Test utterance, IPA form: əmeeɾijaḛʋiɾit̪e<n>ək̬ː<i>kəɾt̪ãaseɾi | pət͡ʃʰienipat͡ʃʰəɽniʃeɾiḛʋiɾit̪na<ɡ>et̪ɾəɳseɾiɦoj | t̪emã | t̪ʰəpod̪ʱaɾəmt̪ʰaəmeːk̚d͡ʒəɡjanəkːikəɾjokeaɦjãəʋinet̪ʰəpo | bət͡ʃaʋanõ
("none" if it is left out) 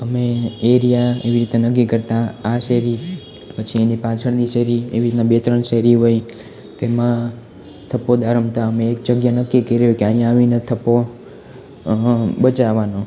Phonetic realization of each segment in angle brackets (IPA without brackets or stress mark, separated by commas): n, i, b